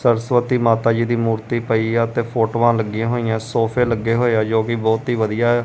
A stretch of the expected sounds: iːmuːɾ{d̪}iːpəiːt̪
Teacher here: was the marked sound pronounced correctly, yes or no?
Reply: no